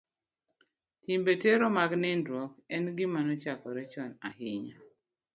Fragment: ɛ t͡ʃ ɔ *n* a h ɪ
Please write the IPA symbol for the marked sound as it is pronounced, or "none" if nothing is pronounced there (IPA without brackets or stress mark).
n